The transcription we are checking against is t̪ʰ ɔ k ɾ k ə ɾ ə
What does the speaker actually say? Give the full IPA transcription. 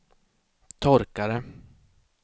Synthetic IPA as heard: t̪ʰ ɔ ɾ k a ɾ ə